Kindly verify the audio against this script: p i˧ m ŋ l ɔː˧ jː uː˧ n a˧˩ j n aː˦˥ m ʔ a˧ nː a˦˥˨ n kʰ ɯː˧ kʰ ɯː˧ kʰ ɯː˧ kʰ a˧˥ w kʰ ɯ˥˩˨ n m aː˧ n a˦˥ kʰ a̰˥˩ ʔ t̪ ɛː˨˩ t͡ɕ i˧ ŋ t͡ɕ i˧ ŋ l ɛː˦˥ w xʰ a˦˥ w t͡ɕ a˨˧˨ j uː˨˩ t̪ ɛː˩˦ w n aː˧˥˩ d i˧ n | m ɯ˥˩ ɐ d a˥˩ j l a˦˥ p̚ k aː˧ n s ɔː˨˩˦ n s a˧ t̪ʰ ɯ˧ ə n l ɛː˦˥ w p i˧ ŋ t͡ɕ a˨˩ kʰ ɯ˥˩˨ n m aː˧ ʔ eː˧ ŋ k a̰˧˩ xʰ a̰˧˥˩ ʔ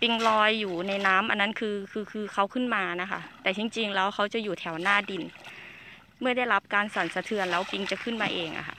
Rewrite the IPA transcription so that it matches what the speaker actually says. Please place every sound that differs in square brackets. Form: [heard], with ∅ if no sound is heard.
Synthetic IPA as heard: p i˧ [∅] ŋ l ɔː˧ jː [uː˨˩] n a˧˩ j n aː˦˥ m ʔ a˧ nː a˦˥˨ n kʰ ɯː˧ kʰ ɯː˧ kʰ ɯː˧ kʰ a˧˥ w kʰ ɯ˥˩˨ n m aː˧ n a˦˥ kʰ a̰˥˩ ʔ t̪ ɛː˨˩ t͡ɕ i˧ ŋ t͡ɕ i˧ ŋ l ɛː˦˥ w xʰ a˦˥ w t͡ɕ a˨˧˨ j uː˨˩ [t̪ʰ] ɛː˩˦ w n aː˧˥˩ d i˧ n | m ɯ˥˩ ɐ d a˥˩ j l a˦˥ p̚ k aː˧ n s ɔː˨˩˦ n s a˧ t̪ʰ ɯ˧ ə n l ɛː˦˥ w p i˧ ŋ t͡ɕ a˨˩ kʰ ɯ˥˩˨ n m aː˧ ʔ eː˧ ŋ [ʔ] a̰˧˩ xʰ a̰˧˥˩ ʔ